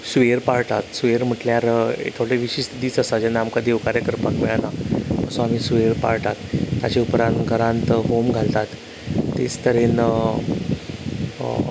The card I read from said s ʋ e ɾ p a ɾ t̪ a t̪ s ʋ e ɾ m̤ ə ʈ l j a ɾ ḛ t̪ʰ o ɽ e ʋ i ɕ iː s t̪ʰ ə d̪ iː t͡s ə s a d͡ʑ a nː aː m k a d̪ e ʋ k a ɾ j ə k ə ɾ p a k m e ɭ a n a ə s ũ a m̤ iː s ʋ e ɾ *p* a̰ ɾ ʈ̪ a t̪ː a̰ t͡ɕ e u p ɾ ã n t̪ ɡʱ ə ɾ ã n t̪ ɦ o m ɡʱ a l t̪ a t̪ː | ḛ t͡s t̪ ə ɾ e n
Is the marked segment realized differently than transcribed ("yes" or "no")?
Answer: no